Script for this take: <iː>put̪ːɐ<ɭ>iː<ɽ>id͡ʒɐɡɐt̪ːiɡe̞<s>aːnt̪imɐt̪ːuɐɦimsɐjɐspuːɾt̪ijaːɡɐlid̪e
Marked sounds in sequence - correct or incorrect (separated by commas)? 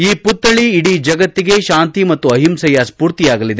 correct, correct, correct, incorrect